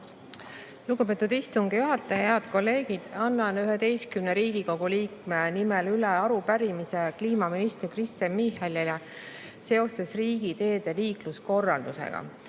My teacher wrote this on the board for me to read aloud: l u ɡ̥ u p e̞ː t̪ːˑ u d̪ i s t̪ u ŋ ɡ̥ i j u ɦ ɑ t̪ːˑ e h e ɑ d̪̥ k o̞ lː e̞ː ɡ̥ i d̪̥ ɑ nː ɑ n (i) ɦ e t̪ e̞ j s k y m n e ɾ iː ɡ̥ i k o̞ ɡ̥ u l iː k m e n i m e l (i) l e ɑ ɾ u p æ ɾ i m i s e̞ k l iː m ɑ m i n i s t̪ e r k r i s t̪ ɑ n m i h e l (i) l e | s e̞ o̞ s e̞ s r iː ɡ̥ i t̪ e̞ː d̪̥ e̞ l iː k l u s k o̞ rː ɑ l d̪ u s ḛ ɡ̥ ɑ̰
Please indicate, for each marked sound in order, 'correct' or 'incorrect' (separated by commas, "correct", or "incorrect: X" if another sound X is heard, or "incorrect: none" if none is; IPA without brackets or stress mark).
incorrect: y, incorrect: y, correct